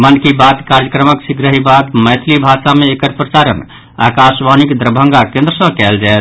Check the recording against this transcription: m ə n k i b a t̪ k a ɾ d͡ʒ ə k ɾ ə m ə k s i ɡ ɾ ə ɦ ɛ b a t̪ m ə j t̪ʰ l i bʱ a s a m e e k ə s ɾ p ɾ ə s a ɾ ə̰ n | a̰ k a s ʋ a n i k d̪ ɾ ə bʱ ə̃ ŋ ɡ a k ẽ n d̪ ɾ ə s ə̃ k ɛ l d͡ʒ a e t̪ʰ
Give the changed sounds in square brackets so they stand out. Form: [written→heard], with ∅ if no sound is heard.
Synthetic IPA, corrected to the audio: m ə n k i b a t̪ k a ɾ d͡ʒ ə k ɾ ə m ə k s i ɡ ɾ ə ɦ [ɛ→i] b a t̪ m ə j t̪ʰ l i bʱ a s a m e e k ə [s→∅] ɾ p ɾ ə s a ɾ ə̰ n | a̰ k a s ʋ a n i k d̪ ɾ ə bʱ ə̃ ŋ ɡ a k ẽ n d̪ ɾ ə s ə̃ k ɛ l d͡ʒ a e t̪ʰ